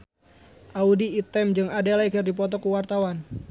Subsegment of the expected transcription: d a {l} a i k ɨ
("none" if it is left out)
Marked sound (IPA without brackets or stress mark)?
l